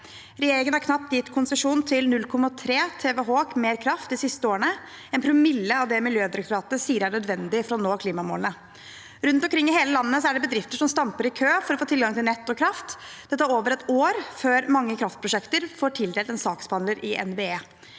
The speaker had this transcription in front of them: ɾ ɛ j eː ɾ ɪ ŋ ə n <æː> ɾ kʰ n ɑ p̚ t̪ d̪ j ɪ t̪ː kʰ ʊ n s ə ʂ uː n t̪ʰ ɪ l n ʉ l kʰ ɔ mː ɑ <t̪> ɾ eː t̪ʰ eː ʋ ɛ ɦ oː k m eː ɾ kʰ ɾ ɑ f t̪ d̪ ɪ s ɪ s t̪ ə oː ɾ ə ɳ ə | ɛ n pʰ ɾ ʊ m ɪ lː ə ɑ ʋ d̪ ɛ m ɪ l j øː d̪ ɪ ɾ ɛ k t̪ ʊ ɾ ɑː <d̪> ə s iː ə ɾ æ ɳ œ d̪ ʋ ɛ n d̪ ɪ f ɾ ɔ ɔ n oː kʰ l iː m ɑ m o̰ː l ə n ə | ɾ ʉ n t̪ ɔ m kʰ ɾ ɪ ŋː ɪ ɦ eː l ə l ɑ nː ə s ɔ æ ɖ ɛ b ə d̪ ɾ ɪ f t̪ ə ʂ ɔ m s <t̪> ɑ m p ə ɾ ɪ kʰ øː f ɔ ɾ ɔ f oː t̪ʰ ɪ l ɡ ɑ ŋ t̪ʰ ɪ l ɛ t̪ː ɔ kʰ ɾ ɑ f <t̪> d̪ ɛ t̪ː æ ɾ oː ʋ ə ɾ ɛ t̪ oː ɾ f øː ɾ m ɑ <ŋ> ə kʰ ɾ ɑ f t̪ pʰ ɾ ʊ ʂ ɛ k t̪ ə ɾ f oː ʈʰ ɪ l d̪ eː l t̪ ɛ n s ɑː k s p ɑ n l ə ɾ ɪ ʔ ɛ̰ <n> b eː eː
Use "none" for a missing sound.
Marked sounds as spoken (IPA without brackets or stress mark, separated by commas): æ, t̪ʰ, t̪, t̪, t̪, ŋː, n